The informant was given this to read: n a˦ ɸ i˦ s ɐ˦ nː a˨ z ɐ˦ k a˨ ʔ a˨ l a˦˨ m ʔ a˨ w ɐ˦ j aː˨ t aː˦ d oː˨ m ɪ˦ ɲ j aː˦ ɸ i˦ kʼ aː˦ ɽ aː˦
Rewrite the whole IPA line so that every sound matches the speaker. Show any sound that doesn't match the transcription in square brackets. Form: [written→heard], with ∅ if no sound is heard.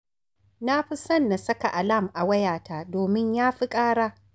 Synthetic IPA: n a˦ ɸ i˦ s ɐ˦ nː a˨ [z→s] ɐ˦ k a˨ ʔ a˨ l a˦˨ m ʔ a˨ w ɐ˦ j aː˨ t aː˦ d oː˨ m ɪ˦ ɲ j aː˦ ɸ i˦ kʼ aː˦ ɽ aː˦